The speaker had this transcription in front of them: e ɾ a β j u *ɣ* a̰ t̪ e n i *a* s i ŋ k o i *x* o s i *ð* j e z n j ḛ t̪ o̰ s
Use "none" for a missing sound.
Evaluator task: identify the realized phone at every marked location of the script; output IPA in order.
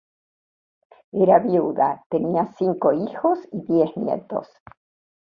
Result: ð, a, x, ð

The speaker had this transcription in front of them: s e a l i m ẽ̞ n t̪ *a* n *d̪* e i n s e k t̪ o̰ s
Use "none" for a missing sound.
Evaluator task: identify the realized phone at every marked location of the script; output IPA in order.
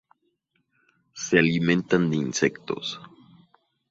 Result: a, d̪

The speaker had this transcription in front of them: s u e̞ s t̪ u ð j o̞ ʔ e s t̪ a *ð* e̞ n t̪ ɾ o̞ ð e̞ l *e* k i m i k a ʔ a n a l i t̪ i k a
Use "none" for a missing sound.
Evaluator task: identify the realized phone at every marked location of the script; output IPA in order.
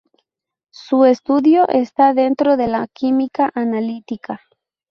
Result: ð, a

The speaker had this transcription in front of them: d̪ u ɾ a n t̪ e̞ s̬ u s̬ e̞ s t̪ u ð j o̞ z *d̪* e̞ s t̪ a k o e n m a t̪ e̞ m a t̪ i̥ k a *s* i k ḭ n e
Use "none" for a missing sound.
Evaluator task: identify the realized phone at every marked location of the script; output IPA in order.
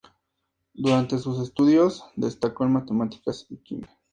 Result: d̪, s

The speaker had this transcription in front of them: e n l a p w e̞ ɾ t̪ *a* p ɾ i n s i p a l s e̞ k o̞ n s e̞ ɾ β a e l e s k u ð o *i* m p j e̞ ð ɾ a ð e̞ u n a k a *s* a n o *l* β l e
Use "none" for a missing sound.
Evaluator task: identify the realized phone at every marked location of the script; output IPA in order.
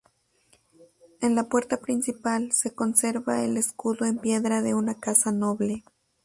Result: a, e, s, none

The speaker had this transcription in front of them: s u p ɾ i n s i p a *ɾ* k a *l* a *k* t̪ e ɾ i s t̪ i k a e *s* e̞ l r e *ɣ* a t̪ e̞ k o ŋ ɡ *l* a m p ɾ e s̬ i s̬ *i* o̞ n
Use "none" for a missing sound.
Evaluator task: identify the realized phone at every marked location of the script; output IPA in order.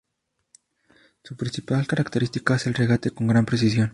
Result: l, ɾ, k, s, ɣ, ɾ, j

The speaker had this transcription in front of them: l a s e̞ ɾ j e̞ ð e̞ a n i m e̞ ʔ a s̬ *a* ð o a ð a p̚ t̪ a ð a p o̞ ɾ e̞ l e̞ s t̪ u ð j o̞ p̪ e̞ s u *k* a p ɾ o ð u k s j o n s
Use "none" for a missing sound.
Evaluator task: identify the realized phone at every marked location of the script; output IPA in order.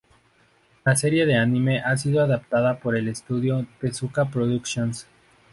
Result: i, k

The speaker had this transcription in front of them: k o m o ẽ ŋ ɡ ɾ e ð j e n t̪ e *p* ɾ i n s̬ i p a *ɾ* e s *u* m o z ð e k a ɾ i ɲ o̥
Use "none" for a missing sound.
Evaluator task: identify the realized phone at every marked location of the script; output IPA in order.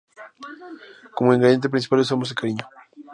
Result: p, l, o

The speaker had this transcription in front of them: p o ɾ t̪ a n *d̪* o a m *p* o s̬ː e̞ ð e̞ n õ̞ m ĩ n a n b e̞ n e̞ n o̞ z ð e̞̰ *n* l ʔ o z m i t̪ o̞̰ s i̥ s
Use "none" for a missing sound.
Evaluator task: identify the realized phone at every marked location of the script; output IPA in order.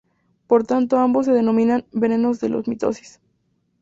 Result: t̪, b, none

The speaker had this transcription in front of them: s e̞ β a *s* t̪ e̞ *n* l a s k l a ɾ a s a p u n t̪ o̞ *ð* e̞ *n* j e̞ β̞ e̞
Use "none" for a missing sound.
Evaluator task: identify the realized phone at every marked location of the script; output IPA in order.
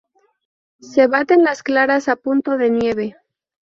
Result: none, n, ð, n

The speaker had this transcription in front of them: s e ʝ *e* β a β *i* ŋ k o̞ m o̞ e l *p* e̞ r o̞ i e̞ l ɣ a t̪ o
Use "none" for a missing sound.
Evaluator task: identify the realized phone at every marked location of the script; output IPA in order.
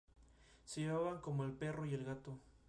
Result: e, a, p

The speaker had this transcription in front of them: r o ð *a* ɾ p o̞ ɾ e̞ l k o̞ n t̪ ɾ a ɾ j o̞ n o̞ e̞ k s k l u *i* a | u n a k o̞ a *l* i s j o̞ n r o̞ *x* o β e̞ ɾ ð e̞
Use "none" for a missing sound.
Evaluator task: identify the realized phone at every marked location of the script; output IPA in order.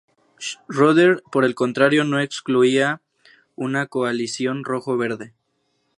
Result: e, i, l, x

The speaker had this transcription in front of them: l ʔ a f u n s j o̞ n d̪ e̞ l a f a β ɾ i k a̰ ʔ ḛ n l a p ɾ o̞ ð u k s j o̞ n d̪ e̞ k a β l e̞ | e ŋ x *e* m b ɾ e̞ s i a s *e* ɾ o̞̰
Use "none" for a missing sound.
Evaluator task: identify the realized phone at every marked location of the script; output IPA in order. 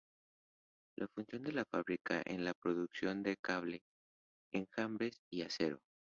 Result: a, e

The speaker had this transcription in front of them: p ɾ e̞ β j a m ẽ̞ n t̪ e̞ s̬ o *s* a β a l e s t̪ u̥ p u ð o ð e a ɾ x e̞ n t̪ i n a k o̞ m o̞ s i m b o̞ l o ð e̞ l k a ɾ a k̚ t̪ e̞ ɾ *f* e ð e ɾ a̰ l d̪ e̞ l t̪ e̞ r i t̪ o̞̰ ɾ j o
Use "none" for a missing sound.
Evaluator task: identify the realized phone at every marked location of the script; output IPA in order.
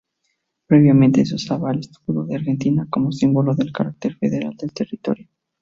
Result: s, f

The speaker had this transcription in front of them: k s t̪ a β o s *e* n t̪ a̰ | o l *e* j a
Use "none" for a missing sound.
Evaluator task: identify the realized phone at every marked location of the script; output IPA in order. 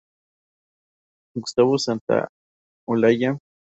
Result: a, a

